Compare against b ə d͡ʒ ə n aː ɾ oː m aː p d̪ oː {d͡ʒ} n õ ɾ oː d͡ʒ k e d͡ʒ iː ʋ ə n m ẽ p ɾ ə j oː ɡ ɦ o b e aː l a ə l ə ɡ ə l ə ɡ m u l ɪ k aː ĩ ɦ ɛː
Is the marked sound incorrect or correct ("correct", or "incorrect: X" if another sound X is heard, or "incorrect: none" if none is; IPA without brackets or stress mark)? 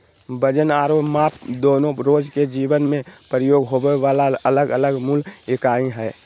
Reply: incorrect: none